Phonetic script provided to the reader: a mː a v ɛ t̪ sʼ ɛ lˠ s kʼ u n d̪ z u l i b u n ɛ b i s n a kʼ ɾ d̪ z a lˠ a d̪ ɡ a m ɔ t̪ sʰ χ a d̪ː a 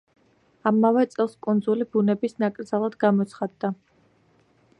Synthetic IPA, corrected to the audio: a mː a v ɛ t̪ sʼ ɛ lˠ s kʼ u n d̪ z u l i b u n ɛ b i s n a kʼ ɾ d̪ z a lˠ a d̪ ɡ a m ɔ t̪ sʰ χ a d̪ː a